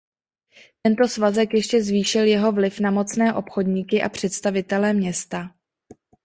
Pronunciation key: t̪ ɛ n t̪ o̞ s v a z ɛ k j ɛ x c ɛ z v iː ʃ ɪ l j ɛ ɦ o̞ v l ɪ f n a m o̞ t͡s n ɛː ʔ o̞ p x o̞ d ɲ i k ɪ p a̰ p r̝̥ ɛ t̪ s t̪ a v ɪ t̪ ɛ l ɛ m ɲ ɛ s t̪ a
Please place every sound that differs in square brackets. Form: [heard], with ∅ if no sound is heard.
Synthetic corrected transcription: t̪ ɛ n t̪ o̞ s v a z ɛ k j ɛ [ʃ] c ɛ z v iː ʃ ɪ l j ɛ ɦ o̞ v l ɪ f n a m o̞ t͡s n ɛː ʔ o̞ p x o̞ d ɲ i k ɪ [ʔ] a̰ p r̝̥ ɛ t̪ s t̪ a v ɪ t̪ ɛ l ɛ m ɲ ɛ s t̪ a